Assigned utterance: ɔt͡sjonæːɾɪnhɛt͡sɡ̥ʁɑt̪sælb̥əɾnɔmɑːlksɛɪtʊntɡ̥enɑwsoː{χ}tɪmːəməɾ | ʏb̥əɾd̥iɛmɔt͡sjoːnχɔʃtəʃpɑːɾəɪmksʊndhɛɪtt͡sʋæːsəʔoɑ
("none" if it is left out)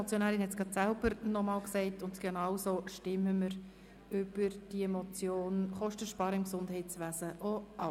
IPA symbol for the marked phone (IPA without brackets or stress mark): ʃ